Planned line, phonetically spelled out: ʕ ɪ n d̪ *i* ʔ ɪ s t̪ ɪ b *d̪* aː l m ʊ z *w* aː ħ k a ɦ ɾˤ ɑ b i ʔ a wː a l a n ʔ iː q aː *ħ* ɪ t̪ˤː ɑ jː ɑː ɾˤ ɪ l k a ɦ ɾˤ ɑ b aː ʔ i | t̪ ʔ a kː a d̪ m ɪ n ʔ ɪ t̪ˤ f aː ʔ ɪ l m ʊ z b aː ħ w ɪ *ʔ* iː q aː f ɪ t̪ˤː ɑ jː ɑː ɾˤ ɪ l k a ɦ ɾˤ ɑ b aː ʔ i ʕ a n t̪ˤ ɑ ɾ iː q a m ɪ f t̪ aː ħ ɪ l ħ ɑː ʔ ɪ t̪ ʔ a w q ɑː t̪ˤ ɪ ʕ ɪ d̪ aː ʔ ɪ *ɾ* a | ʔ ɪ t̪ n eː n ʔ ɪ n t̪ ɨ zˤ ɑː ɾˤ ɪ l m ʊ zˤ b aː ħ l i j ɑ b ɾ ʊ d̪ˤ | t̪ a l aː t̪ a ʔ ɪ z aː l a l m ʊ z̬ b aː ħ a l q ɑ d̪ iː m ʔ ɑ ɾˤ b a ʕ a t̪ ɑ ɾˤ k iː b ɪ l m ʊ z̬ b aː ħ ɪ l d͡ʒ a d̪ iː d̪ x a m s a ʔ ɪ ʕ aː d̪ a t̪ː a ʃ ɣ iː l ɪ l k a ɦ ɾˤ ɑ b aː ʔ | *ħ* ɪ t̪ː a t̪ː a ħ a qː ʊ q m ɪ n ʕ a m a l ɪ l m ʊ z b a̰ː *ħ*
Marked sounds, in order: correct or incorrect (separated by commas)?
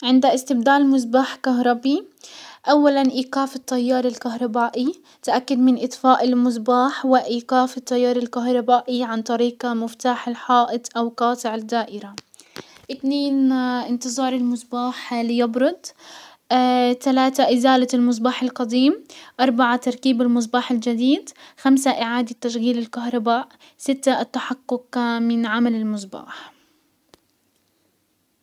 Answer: incorrect, correct, incorrect, incorrect, correct, correct, incorrect, correct